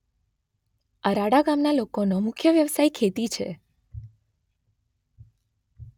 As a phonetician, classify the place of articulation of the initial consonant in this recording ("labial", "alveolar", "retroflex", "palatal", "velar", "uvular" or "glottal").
alveolar